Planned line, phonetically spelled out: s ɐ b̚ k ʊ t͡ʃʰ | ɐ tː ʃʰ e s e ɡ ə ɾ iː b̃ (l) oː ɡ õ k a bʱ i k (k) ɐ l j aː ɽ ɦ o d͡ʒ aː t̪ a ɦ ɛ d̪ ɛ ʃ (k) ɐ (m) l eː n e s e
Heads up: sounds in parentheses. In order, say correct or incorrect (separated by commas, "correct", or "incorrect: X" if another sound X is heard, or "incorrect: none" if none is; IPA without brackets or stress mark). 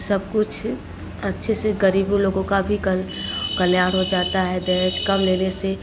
correct, correct, correct, correct